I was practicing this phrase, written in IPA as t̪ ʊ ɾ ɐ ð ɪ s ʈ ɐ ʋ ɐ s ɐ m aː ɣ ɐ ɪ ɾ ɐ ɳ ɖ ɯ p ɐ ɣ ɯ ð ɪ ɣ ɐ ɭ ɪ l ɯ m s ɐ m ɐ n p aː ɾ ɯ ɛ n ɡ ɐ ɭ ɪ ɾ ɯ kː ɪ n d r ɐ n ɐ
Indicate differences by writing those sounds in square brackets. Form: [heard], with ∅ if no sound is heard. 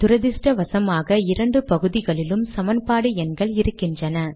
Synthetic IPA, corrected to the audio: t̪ ʊ ɾ ɐ ð ɪ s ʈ ɐ ʋ ɐ s ɐ m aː ɣ ɐ ɪ ɾ ɐ ɳ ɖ ɯ p ɐ ɣ ɯ ð ɪ ɣ ɐ ɭ ɪ l ɯ m s ɐ m ɐ n p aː [ɽ] ɯ ɛ n ɡ ɐ ɭ ɪ ɾ ɯ kː ɪ n d r ɐ n ɐ